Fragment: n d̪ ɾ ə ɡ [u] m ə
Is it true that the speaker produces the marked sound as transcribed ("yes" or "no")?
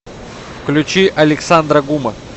yes